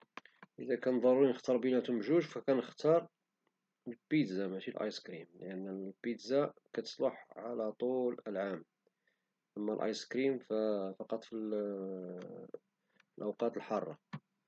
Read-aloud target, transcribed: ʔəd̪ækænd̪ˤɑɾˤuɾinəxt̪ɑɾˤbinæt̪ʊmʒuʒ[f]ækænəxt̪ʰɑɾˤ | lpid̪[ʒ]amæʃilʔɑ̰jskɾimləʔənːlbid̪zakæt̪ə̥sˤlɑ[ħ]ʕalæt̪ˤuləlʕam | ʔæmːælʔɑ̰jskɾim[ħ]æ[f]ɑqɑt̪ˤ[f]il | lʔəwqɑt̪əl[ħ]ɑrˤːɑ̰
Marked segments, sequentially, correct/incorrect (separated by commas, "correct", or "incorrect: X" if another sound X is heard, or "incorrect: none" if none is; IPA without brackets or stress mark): correct, incorrect: z, correct, incorrect: f, correct, correct, correct